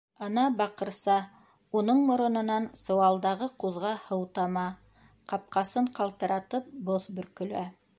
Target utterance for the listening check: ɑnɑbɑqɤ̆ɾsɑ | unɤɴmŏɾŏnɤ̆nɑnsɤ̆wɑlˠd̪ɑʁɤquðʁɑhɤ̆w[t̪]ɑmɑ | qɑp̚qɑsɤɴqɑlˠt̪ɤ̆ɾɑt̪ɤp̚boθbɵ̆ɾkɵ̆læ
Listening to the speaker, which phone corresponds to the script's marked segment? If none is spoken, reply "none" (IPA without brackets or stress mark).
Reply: t̪